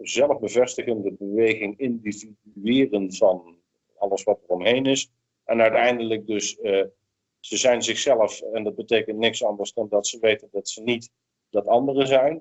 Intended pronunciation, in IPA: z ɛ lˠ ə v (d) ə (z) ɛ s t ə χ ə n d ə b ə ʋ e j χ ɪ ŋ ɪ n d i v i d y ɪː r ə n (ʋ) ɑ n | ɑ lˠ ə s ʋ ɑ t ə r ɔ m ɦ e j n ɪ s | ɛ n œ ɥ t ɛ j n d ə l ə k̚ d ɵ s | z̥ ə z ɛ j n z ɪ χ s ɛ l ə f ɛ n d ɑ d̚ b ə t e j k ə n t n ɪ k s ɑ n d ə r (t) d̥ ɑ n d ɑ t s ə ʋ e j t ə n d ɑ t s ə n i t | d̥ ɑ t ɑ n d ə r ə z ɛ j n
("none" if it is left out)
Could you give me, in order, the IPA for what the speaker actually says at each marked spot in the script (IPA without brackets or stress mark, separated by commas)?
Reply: b, v, v, s